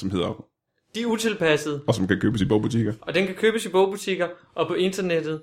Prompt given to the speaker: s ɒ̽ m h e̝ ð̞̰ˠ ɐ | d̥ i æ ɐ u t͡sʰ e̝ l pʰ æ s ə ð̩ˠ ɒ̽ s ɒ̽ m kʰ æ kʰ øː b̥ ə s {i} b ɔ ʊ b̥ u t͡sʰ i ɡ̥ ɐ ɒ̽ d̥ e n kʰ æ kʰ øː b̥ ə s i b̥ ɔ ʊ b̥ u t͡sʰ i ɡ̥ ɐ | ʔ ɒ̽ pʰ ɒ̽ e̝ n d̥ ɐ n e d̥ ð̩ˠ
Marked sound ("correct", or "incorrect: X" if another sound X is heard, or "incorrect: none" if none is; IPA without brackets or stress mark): correct